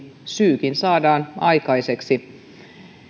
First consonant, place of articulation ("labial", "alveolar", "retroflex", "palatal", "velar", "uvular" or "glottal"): alveolar